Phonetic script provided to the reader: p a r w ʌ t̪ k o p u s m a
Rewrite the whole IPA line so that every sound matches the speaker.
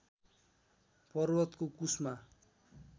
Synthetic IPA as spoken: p ʌ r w ʌ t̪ k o k u s m a